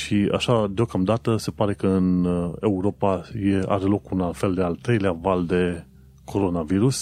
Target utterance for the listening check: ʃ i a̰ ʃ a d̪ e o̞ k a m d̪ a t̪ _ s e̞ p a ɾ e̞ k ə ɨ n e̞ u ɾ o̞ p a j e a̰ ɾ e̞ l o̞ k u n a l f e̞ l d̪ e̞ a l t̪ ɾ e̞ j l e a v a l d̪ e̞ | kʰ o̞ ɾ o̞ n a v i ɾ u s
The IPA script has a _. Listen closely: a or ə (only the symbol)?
ə